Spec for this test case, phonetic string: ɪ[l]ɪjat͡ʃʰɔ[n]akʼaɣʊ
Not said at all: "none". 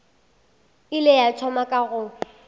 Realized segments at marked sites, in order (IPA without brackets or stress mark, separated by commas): l, m